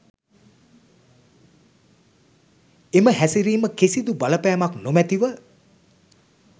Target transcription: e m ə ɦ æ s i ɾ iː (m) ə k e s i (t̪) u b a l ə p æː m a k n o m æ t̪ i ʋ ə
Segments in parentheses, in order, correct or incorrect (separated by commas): correct, incorrect